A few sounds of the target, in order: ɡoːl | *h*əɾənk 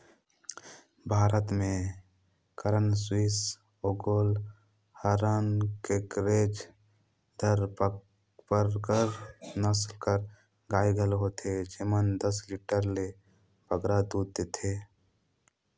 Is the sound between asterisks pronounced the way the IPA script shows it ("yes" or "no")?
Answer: yes